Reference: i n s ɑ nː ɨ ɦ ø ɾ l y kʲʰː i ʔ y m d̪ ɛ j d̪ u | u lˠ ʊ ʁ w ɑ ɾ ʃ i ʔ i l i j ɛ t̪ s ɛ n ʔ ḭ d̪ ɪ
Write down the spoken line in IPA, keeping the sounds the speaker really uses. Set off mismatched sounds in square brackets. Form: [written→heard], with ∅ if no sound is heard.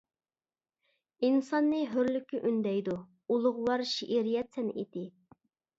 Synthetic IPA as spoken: i n s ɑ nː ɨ ɦ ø ɾ l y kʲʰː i ʔ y [m→n] d̪ ɛ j d̪ u | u lˠ ʊ ʁ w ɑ ɾ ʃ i ʔ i [l→ɾ] i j ɛ t̪ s ɛ n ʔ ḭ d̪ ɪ